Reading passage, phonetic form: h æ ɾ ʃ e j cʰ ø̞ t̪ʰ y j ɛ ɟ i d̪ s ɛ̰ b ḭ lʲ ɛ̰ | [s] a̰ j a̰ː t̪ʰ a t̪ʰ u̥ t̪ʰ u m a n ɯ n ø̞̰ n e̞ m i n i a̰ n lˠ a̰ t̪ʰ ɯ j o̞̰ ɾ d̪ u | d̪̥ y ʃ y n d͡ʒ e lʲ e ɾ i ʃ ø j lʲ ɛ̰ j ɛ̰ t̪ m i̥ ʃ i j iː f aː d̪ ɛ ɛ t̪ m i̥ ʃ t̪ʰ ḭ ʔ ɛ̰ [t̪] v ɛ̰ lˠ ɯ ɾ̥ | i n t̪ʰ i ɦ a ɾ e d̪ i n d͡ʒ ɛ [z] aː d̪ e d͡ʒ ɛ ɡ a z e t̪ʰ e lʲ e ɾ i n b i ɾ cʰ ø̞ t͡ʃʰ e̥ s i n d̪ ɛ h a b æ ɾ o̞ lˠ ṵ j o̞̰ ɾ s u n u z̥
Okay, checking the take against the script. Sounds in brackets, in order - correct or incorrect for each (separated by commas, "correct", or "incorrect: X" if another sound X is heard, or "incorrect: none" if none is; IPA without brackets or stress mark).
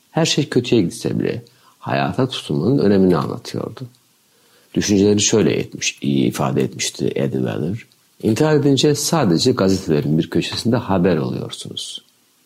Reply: incorrect: h, incorrect: d̪, incorrect: s